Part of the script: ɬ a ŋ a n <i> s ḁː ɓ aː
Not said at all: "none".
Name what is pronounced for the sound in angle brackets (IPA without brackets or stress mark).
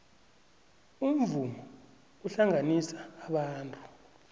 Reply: i